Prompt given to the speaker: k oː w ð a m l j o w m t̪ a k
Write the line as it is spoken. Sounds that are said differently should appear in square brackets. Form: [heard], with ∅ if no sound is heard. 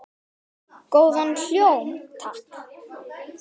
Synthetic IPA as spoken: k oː w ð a [n] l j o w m [t̪ʰ] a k